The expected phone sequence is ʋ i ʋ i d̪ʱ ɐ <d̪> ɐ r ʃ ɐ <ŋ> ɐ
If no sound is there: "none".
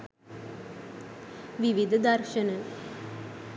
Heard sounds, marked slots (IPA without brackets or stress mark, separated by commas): d̪, n